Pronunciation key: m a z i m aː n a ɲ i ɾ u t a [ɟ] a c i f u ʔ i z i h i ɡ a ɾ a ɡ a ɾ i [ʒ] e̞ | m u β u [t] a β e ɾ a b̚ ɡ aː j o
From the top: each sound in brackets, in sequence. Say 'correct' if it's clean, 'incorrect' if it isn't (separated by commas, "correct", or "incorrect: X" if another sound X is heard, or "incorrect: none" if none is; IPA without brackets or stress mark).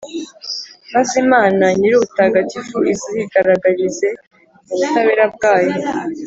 incorrect: ɡ, incorrect: z, correct